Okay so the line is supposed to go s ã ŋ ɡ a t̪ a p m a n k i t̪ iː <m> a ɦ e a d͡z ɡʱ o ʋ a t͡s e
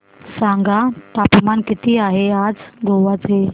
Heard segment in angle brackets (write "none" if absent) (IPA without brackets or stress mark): none